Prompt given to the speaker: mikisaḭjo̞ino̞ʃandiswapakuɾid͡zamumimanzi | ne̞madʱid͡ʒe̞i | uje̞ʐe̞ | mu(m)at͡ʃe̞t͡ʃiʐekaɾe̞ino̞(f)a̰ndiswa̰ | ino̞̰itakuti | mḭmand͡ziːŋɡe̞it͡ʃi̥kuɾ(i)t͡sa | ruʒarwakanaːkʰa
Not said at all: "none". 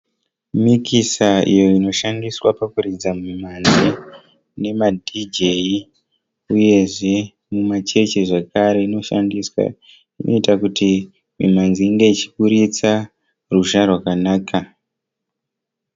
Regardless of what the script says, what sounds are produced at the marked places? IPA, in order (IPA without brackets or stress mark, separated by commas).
m, ʃ, i